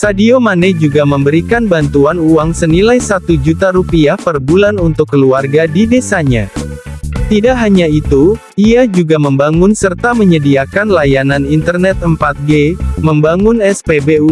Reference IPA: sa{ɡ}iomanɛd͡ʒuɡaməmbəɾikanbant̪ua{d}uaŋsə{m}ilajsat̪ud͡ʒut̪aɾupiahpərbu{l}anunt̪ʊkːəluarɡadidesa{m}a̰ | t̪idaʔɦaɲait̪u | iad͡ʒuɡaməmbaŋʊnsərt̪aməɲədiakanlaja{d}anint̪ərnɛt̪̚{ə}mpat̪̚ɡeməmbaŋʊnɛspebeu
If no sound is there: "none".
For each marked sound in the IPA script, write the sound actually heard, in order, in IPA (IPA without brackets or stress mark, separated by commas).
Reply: d, n, n, l, ɲ, n, ə